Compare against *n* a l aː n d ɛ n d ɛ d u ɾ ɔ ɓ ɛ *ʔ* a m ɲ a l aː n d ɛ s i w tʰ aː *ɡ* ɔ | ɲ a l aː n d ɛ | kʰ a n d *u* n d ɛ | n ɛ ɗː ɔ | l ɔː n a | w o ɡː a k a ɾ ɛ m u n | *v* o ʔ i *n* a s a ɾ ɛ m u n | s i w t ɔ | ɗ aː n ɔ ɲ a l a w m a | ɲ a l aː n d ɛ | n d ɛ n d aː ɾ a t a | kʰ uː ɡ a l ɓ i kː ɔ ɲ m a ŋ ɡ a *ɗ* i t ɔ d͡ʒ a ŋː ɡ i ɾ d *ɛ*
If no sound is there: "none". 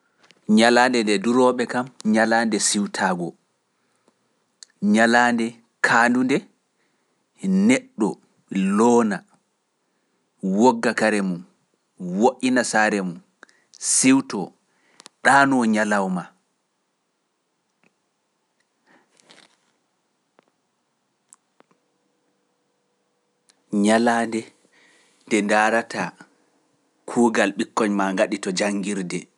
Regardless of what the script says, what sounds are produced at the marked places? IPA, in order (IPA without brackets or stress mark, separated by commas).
ɲ, k, ɡ, u, w, n, ɗ, ɛ